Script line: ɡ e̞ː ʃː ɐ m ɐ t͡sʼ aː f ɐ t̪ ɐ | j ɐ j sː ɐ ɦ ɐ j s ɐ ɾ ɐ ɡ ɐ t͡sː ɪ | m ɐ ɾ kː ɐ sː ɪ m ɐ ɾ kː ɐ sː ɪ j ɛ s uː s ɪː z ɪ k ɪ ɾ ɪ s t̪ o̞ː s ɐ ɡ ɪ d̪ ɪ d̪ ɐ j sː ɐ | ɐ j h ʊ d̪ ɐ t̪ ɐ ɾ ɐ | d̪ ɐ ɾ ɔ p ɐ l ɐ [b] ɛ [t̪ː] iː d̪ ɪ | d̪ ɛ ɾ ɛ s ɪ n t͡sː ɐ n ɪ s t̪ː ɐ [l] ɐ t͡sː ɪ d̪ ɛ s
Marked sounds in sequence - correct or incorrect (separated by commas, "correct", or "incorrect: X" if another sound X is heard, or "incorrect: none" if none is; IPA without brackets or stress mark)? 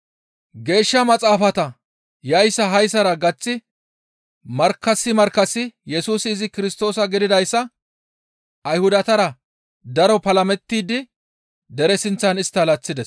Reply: incorrect: m, correct, correct